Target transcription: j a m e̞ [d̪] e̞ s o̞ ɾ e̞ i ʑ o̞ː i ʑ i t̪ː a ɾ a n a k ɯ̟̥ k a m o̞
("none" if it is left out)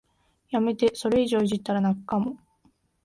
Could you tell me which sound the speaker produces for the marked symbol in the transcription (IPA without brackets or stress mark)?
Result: t̪